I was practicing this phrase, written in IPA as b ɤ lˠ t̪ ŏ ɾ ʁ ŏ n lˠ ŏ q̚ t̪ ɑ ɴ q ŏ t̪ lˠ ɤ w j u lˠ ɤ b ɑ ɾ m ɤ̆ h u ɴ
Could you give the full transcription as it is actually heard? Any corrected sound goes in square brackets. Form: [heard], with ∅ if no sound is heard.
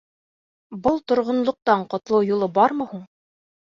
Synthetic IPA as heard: b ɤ lˠ t̪ ŏ ɾ ʁ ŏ n lˠ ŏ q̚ t̪ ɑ ɴ q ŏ t̪ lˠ ɤ w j u lˠ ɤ b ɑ ɾ m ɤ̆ h u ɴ